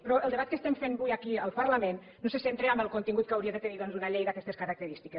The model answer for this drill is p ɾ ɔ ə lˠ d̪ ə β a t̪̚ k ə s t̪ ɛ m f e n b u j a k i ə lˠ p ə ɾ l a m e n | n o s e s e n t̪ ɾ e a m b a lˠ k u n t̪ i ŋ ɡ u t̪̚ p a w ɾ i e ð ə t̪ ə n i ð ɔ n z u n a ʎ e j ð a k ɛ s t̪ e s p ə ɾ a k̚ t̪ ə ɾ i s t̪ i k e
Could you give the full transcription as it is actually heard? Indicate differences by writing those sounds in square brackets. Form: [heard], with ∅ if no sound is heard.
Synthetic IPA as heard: p ɾ ɔ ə lˠ d̪ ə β a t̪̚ k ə s t̪ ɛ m f e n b u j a k i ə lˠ p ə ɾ l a m e n | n o s e s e n t̪ ɾ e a m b [ə] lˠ k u n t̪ i ŋ ɡ u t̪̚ [k] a w ɾ i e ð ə t̪ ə n i ð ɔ n z u n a ʎ e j ð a k ɛ s t̪ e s [k] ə ɾ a k̚ t̪ ə ɾ i s t̪ i k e

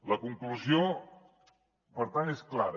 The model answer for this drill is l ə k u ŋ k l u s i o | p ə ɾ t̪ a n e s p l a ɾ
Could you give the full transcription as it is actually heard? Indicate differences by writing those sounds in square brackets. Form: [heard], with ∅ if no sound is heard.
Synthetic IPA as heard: l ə k u ŋ k l u [z] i o | p ə ɾ t̪ a n e s [k] l a ɾ

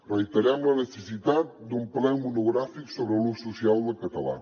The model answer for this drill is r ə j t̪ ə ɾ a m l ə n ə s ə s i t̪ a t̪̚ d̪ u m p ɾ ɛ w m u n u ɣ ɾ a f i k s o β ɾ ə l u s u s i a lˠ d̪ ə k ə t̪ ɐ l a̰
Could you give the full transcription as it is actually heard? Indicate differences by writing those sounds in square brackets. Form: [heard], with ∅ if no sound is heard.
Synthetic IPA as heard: r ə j t̪ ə ɾ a m l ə n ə s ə s i t̪ a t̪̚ d̪ u m p [l] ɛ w m u n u ɣ ɾ a f i k s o β ɾ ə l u s u s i a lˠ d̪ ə k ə t̪ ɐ l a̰

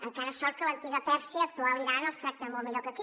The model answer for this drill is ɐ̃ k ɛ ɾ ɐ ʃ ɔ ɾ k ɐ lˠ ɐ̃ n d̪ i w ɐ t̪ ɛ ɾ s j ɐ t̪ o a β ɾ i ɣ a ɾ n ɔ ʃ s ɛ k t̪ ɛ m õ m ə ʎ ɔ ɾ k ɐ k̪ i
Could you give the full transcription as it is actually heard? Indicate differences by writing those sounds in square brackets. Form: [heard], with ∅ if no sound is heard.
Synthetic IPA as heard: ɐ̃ k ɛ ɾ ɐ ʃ ɔ ɾ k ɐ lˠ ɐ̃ n [t̪] i [ɣ] ɐ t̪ ɛ ɾ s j ɐ t̪ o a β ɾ i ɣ a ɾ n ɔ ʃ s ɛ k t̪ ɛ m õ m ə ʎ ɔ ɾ k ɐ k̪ i

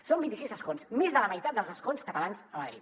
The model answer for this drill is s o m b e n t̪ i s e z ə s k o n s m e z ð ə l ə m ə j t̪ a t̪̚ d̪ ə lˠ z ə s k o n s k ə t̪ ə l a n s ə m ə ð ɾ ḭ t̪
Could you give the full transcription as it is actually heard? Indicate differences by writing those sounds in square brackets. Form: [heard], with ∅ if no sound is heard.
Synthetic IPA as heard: s o m b [i] n t̪ i s [i] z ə s k o n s m e z ð ə l ə m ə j t̪ a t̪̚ d̪ ə lˠ z ə s k o n s k ə t̪ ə l a n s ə m ə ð ɾ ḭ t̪

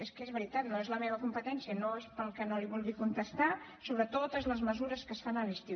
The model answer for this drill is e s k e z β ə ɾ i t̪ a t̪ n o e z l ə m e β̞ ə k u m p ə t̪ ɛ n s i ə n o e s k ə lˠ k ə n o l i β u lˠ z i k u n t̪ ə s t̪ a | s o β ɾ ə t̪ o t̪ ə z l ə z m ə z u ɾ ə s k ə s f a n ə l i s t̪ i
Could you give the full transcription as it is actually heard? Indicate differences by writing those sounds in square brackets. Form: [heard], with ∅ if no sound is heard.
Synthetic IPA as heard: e s k e z β ə ɾ i t̪ a t̪ n o e z l ə m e β̞ ə k u m p ə t̪ ɛ n s i ə n o e s [p] ə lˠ k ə n o l i β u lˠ [ɣ] i k u n t̪ ə s t̪ a | s o β ɾ ə t̪ o t̪ ə z l ə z m ə z u ɾ ə s k ə s f a n ə l i s t̪ i

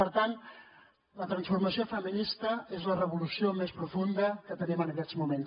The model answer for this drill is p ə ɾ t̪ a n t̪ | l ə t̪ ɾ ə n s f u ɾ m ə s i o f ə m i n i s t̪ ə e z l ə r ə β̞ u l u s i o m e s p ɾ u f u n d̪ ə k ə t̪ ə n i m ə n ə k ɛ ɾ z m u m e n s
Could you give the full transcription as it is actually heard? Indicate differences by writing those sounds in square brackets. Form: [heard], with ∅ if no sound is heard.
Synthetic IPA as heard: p ə ɾ t̪ a n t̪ | l ə t̪ ɾ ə n s f u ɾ m ə s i o f ə m i n i s t̪ ə e z l ə r ə β̞ u l u s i o m e s p ɾ u f u n d̪ ə k ə t̪ ə n i m ə n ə k ɛ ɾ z m u m e n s

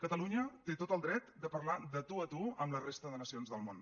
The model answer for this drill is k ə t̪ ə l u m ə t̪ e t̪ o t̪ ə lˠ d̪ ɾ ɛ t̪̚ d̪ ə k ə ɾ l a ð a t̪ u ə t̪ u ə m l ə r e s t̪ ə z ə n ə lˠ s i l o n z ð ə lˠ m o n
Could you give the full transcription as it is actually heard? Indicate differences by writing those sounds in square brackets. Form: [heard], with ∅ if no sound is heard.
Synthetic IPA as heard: k ə t̪ ə l u [ɲ] ə t̪ e t̪ o t̪ ə lˠ d̪ ɾ ɛ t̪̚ d̪ ə [p] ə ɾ l a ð [ə] t̪ u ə t̪ u ə m l ə r e s t̪ ə [ð] ə n ə [∅] s i [∅] o n z ð ə lˠ m o n

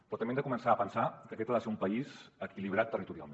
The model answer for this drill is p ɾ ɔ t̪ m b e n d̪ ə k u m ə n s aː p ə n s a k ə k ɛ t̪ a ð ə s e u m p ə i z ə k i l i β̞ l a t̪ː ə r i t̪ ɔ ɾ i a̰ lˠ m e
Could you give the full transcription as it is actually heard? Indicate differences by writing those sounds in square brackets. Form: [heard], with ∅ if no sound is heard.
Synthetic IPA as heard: p ɾ ɔ t̪ m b e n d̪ ə k u m ə n s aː p ə n s a k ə k ɛ t̪ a ð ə s e u m p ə i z ə k i l i β̞ [ɾ] a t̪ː ə r i t̪ [u] ɾ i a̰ lˠ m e

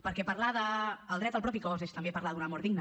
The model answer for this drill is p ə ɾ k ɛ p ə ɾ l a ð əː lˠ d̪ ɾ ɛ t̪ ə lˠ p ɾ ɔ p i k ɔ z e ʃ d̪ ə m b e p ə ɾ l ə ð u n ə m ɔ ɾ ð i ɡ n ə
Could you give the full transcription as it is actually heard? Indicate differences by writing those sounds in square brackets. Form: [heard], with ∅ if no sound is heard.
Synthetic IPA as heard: p ə ɾ k ɛ p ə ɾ l a ð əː lˠ d̪ ɾ ɛ t̪ ə lˠ p ɾ ɔ p i k ɔ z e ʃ [t̪] ə m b e p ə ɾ l [a] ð u n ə m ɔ ɾ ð i ɡ n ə

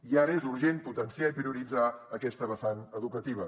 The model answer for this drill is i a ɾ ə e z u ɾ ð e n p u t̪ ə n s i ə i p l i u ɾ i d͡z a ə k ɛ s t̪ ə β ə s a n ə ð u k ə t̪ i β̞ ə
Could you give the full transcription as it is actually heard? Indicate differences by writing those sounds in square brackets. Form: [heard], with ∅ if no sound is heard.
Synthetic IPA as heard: i a ɾ ə e z u ɾ [ʒ] e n p u t̪ ə n s i [a] i p [ɾ] i u ɾ i d͡z a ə k ɛ s t̪ ə β ə s a n ə ð u k ə t̪ i β̞ ə

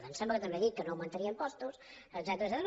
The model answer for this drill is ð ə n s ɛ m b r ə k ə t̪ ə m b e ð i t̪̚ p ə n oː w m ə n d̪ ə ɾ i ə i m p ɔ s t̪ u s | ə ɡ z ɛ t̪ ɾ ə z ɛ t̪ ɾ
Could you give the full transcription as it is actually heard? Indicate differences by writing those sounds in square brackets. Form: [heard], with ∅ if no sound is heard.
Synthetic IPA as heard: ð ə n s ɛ m b [l] ə k ə t̪ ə m b e ð i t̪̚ [k] ə n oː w m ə n [t̪] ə ɾ i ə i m p ɔ s t̪ u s | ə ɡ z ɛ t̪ ɾ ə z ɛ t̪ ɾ

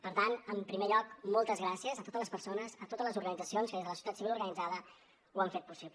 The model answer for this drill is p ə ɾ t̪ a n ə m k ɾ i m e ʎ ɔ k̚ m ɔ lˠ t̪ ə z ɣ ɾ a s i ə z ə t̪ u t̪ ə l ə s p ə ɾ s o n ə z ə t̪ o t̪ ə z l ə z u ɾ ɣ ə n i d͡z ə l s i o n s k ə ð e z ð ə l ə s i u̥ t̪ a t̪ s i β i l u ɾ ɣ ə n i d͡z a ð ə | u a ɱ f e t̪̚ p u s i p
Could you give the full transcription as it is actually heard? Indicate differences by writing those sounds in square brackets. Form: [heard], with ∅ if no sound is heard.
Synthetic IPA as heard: p ə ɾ t̪ a n ə m [p] ɾ i m e ʎ ɔ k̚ m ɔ lˠ t̪ ə z ɣ ɾ a s i ə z ə t̪ [o] t̪ ə l ə s p ə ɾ s o n ə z ə t̪ o t̪ ə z l ə z u ɾ ɣ ə n i d͡z ə [∅] s i o n s k ə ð e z ð ə l ə s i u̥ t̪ a t̪ s i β i l u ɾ ɣ ə n i d͡z a ð ə | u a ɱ f e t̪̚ p u s i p

